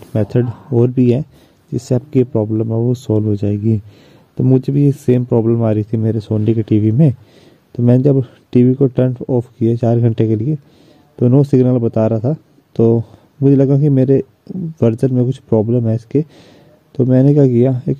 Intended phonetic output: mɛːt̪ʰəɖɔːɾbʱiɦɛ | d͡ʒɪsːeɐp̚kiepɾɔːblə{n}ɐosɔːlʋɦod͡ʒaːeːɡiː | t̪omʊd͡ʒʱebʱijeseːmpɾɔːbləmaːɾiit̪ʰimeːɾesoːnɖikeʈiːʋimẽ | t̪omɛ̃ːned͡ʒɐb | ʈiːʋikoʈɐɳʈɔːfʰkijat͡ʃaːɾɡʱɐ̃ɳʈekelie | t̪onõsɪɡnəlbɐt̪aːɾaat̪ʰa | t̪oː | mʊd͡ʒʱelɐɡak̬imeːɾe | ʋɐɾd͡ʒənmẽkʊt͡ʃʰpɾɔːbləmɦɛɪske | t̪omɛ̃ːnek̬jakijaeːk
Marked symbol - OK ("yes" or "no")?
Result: no